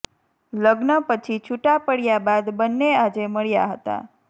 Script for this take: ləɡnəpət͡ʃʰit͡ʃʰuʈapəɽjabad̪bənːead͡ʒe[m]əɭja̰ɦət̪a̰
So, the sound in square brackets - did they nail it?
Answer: yes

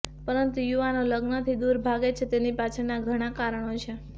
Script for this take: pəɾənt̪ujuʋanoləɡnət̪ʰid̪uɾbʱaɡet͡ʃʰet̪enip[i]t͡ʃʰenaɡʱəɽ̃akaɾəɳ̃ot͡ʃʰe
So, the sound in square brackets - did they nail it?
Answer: no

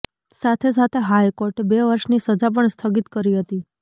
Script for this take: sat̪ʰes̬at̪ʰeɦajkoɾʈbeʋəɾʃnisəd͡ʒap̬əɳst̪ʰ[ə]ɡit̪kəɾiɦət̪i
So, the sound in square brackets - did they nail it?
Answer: yes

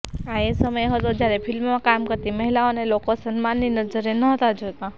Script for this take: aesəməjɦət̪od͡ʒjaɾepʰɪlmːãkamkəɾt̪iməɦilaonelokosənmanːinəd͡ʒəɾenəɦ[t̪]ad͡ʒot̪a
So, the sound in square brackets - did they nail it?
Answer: yes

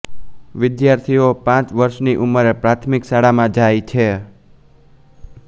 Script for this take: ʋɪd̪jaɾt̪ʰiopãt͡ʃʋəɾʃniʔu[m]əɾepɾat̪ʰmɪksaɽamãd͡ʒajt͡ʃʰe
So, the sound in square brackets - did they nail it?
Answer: yes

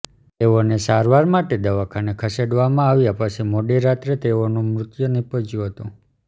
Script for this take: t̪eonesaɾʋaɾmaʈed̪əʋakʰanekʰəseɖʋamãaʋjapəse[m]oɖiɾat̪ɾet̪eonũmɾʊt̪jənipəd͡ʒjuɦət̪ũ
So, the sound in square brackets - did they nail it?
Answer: yes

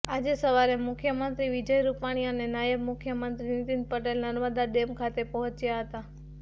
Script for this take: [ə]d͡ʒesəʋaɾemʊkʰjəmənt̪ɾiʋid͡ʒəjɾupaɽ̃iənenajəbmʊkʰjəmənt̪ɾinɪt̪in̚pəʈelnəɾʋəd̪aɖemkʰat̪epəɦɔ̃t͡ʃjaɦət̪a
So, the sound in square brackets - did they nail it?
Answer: no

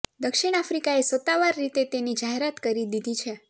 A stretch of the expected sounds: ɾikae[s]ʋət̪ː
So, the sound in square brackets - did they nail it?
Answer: yes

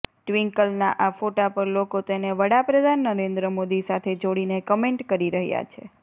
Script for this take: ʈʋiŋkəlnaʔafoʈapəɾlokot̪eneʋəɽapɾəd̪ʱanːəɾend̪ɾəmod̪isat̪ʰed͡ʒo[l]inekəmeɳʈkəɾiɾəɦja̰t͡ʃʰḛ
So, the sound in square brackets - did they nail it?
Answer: no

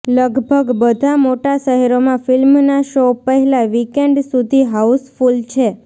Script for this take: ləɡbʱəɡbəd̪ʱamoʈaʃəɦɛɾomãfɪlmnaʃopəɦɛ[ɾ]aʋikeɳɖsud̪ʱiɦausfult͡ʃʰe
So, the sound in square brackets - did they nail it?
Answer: no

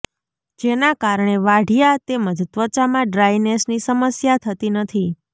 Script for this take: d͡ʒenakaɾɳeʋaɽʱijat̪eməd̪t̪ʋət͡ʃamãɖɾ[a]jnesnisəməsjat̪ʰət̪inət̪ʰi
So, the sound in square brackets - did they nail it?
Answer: yes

